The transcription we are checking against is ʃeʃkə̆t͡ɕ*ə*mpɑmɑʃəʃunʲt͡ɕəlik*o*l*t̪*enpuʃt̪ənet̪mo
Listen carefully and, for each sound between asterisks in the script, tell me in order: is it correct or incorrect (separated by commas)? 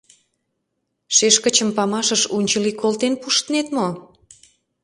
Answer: correct, correct, correct